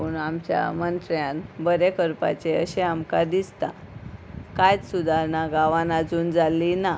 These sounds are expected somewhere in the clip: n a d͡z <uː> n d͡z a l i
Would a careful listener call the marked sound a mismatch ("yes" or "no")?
no